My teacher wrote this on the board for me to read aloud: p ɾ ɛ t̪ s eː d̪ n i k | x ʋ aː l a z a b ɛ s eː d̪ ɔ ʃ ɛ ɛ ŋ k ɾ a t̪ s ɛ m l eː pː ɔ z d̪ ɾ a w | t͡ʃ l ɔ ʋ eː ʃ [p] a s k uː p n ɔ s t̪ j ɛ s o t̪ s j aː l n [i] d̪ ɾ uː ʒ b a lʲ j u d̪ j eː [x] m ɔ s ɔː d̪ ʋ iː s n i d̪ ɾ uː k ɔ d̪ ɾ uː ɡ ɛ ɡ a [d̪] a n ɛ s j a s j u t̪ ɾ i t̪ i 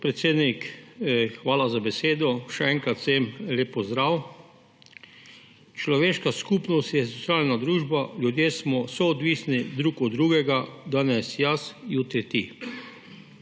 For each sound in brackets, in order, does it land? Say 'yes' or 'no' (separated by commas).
no, no, no, yes